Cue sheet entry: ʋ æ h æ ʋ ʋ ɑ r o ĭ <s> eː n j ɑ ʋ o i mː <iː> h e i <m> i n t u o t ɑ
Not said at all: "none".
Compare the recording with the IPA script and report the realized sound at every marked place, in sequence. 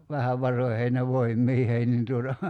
h, iː, n

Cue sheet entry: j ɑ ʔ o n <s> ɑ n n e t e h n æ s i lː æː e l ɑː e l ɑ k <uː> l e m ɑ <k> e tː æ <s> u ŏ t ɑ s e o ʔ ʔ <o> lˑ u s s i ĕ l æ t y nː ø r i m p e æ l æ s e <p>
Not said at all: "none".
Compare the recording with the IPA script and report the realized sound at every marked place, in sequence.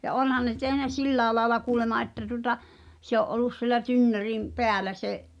h, uː, ʔ, t, o, ʔ

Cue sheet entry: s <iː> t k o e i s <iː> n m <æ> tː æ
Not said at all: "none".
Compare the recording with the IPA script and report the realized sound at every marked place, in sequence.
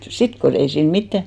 i, iː, i

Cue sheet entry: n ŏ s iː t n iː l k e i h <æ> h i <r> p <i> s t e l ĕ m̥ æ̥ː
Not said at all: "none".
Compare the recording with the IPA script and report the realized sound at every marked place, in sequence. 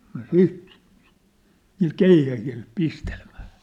æ, l, i

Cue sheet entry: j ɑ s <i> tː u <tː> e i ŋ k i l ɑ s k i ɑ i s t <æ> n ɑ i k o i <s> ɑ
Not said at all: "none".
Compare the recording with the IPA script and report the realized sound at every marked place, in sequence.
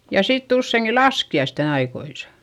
i, sː, e, s

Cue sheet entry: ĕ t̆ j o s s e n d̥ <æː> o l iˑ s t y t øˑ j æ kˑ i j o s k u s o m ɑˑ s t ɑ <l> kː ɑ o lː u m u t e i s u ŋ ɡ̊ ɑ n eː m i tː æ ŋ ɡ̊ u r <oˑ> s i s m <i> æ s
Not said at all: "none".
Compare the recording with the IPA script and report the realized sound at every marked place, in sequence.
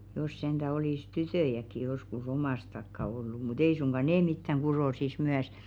æ, none, oˑ, y

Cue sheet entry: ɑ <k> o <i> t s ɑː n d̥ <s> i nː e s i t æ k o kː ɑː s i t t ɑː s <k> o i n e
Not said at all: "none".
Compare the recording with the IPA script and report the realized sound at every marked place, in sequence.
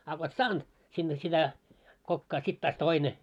k, e, s, t

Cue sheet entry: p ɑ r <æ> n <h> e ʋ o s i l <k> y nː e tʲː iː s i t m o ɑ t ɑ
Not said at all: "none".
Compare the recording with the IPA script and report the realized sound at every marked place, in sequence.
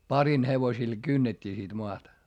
i, h, k

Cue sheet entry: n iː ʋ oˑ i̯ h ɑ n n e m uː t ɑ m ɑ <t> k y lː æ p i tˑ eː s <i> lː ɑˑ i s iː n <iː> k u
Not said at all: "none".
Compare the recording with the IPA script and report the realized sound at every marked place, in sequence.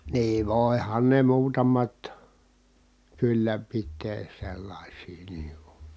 t, e, iː

